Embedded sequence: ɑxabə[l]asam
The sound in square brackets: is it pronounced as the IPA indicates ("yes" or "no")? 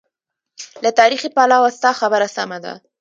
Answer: no